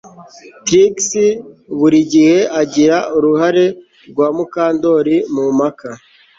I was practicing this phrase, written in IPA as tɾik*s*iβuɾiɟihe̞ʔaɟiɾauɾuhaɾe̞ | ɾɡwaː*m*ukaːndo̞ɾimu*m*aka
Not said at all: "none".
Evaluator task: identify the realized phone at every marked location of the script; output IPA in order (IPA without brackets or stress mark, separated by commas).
s, m, m